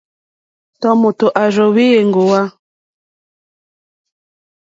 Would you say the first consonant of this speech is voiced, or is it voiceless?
voiceless